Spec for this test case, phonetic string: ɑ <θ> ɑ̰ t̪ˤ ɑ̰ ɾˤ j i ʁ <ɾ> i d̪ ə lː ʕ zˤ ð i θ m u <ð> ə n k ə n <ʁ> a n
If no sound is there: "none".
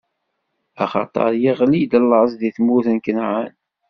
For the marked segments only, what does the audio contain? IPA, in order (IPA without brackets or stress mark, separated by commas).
χ, l, θ, ʕ